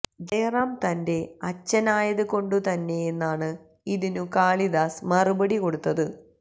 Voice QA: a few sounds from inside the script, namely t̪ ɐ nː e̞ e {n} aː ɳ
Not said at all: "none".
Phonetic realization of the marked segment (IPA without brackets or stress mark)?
nː